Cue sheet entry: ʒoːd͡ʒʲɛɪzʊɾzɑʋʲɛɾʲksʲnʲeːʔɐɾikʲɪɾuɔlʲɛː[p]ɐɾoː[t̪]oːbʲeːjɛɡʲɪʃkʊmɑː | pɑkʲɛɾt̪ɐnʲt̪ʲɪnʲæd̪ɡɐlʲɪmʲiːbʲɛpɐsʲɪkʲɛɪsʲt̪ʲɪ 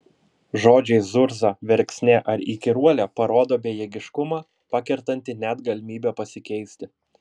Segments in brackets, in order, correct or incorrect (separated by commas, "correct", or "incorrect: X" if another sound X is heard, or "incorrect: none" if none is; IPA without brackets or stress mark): correct, incorrect: d̪